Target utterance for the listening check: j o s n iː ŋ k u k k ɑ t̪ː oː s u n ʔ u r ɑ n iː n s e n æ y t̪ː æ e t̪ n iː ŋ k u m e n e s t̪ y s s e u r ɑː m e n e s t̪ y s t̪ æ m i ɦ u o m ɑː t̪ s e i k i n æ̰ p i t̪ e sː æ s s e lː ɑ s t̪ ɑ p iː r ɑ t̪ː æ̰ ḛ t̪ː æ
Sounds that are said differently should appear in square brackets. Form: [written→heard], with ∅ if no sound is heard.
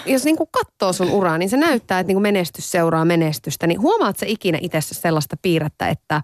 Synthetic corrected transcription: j o s n iː ŋ k u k k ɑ t̪ː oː s u n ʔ u r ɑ n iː n s e n æ y t̪ː [æ→æː] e t̪ n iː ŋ k u m e n e s t̪ y s s e u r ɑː m e n e s t̪ y s t̪ æ [m→n] i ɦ u o m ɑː t̪ s e i k i n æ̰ [p→ʔ] i t̪ e sː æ s s e lː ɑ s t̪ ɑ p iː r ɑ t̪ː æ̰ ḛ t̪ː æ